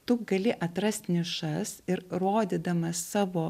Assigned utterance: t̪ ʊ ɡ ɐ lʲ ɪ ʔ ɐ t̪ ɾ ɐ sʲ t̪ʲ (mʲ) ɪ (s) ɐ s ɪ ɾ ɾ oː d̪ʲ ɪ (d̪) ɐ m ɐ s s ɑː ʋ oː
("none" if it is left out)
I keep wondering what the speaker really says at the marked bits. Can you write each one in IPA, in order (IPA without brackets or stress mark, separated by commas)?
nʲ, ʃ, d̪